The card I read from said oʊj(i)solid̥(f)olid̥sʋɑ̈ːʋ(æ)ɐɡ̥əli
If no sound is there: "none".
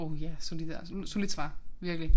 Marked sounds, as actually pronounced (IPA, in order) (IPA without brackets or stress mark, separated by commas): æ, s, i